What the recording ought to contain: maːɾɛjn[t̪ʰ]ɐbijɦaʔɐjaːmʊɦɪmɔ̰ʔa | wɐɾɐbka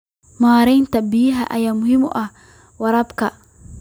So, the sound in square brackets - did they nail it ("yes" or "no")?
no